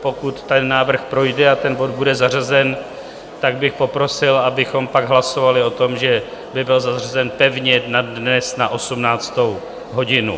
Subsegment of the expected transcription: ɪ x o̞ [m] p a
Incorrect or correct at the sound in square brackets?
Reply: correct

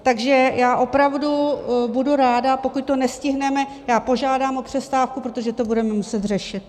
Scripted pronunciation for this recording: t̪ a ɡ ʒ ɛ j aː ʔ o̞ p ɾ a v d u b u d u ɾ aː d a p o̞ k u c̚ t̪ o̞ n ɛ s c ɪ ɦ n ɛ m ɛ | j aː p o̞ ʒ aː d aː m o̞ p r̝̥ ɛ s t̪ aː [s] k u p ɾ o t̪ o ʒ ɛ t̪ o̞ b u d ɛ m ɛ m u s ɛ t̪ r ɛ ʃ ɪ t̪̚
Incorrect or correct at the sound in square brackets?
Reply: incorrect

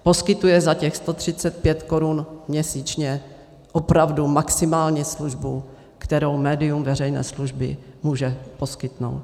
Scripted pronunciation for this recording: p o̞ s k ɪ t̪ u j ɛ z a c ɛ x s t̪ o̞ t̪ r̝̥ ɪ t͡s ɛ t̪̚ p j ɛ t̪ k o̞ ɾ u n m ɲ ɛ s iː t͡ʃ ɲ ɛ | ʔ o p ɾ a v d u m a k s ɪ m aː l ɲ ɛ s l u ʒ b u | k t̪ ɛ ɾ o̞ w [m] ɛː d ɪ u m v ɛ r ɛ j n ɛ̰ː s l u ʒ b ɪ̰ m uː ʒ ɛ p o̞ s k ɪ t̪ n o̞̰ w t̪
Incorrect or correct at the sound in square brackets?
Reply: correct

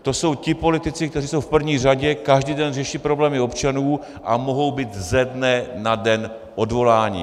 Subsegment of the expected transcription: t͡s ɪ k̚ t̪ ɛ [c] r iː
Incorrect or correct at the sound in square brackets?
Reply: incorrect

